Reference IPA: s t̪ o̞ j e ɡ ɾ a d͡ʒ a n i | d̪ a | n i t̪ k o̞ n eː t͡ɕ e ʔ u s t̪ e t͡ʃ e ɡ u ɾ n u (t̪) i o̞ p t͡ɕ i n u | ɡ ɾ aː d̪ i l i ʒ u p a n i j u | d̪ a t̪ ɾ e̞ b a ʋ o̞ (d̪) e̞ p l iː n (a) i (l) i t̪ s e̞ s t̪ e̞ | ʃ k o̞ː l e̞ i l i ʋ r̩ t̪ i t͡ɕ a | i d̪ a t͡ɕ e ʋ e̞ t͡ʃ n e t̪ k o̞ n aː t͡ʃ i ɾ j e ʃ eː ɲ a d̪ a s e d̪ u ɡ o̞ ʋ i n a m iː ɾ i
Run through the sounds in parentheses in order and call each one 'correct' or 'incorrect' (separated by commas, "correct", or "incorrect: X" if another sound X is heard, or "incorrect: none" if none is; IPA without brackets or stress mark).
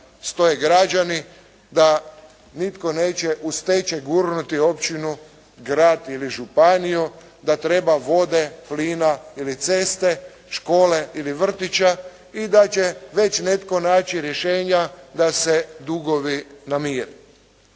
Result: correct, correct, correct, correct